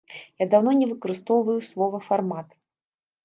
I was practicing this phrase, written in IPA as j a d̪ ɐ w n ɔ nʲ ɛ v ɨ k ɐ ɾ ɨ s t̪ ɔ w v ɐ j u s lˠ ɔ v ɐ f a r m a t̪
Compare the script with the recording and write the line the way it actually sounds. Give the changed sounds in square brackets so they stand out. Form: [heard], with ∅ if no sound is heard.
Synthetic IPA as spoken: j a d̪ [a] w n ɔ nʲ ɛ v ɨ k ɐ ɾ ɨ s t̪ ɔ w v ɐ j u s lˠ ɔ v ɐ f a r m a t̪